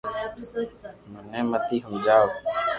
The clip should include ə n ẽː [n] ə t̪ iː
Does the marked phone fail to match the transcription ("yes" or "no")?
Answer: yes